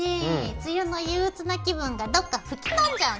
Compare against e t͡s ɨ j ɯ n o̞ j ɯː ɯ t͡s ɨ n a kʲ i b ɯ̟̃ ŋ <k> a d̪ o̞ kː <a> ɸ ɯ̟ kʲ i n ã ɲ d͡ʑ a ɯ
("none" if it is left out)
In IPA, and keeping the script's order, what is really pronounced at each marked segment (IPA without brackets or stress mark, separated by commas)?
ɡ, a